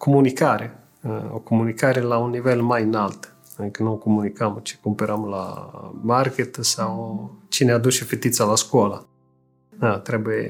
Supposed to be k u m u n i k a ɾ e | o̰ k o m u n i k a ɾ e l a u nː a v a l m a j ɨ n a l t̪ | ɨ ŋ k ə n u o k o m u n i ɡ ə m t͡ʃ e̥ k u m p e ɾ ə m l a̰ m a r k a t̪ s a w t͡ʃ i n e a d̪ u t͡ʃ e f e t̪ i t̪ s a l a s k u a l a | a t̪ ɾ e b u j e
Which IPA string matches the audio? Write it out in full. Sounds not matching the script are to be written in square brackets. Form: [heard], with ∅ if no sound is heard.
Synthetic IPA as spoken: k [o] m u n i k a ɾ e | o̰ k o m u n i k a ɾ e l a u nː [i] v [e] l m a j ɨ n a l t̪ | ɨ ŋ k ə n u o k o m u n i [k] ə m t͡ʃ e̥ k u m p e ɾ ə m l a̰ m a r k [e] t̪ s a w t͡ʃ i n e a d̪ u t͡ʃ e f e t̪ i t̪ s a l a s k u a l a | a t̪ ɾ e b u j e